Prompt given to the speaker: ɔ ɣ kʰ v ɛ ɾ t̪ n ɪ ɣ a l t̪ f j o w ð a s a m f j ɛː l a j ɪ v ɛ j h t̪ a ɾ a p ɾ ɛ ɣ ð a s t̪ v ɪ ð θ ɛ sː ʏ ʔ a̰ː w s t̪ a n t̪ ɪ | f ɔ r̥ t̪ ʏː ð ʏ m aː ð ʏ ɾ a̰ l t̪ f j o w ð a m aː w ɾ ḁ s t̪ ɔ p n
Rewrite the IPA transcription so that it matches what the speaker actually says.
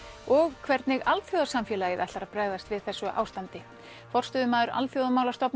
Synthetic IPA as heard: ɔ ɣ kʰ v ɛ ɾ t̪ n ɪ ɣ a l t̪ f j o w ð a s a m f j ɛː l a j ɪ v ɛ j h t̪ a ɾ a p ɾ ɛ ɣ ð a s t̪ v ɪ ð θ ɛ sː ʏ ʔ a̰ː w s t̪ a n t̪ ɪ | f ɔ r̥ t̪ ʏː ð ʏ m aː ð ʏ ɾ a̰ l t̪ f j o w ð a m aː w l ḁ s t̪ ɔ p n